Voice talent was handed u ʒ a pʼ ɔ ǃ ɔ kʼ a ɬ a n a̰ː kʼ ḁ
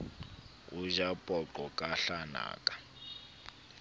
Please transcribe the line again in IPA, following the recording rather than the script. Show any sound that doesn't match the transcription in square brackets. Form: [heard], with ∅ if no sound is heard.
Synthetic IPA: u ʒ a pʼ ɔ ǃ ɔ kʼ a ɬ a n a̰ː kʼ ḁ